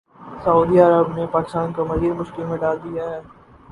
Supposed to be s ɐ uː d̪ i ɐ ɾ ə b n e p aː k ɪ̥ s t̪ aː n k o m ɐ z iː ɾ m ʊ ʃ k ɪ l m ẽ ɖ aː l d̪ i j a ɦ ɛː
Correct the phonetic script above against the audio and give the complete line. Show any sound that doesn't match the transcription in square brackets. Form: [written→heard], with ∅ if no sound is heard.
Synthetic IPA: s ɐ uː d̪ i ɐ ɾ ə b n e p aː k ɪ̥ s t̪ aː n k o m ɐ z iː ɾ m ʊ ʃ k ɪ l m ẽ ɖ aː l d̪ i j a ɦ ɛː